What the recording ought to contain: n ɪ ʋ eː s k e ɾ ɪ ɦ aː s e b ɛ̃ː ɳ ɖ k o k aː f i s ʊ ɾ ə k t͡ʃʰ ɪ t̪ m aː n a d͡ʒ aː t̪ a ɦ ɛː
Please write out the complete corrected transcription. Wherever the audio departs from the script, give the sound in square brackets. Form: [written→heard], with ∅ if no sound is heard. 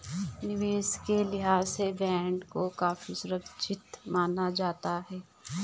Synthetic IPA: n ɪ ʋ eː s k e [ɾ→l] ɪ ɦ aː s e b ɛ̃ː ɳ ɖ k o k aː f i s ʊ ɾ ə k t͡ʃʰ ɪ t̪ m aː n a d͡ʒ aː t̪ a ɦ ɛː